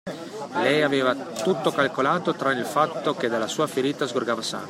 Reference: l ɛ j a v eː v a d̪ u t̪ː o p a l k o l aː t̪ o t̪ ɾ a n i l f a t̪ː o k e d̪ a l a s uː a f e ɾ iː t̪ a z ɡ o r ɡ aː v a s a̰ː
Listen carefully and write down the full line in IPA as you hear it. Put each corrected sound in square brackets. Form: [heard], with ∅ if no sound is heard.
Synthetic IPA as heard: l ɛ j a v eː v a [t̪] u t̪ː o [k] a l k o l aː t̪ o t̪ ɾ a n i l f a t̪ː o k e d̪ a l a s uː a f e ɾ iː t̪ a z ɡ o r ɡ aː v a s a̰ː